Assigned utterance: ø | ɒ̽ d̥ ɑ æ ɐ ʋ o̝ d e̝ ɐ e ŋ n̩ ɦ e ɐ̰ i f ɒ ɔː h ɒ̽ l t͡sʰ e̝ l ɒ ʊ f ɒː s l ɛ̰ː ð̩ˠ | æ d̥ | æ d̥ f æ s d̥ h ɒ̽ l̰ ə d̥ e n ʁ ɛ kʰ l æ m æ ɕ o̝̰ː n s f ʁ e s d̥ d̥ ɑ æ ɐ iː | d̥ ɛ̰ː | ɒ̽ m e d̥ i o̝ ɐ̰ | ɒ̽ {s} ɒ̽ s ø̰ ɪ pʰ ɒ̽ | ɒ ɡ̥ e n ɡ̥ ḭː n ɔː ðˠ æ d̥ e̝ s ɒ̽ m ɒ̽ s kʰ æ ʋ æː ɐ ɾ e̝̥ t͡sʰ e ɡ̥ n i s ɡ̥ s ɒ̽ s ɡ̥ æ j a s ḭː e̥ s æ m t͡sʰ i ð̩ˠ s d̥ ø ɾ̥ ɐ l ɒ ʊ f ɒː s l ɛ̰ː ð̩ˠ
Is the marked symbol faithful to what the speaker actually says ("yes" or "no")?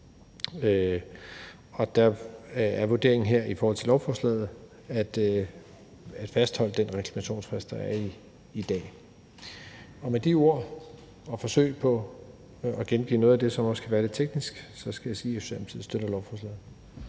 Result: no